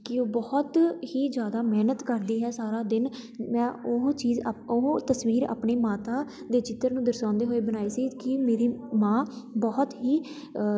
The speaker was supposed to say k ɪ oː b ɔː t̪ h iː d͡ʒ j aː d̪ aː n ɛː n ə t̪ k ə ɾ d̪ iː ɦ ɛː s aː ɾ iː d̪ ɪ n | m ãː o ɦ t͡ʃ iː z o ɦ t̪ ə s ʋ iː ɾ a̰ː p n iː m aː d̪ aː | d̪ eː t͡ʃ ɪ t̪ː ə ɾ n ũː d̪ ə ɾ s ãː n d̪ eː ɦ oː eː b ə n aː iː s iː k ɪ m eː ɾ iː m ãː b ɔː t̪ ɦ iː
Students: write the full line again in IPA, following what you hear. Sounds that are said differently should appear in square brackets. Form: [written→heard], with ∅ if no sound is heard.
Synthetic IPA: k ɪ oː b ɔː t̪ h iː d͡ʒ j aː d̪ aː [n→m] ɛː n ə t̪ k ə ɾ d̪ iː ɦ ɛː s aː ɾ [iː→aː] d̪ ɪ n | m [ãː→ɛ̃ː] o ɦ t͡ʃ iː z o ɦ t̪ ə s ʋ iː ɾ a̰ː p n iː m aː [d̪→t̪] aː | d̪ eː t͡ʃ ɪ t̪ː ə ɾ n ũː d̪ ə ɾ s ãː n d̪ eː ɦ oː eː b ə n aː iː s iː k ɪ m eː ɾ iː m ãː b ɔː t̪ ɦ iː